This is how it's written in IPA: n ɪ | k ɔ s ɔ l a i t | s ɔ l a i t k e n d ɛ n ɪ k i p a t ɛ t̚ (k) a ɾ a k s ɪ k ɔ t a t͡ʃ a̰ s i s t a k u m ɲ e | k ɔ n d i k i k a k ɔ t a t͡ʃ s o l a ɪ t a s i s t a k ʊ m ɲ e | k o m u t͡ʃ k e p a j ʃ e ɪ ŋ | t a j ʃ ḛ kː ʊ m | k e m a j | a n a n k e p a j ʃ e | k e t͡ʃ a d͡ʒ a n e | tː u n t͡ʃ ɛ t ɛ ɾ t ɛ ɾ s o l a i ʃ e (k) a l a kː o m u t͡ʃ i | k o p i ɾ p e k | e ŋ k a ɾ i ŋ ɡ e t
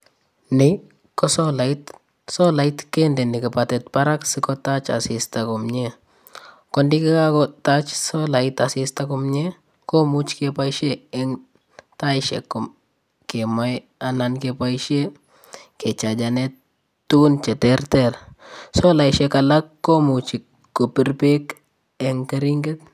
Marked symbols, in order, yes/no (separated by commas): no, yes